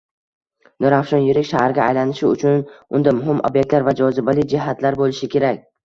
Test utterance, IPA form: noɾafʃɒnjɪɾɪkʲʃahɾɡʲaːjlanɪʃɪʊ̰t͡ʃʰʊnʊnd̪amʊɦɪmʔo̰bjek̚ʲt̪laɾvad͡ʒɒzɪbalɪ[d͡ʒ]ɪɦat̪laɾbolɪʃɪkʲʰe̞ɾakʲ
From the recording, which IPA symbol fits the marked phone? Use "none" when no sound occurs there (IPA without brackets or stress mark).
d͡ʒ